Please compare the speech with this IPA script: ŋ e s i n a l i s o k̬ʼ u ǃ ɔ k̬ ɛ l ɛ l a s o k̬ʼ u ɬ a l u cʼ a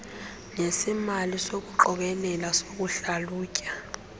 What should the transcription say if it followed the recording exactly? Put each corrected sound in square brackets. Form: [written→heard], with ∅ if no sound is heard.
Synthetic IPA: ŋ e s i [n→m] a l i s o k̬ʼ u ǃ ɔ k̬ ɛ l ɛ l a s o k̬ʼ u ɬ a l [u→uː] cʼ a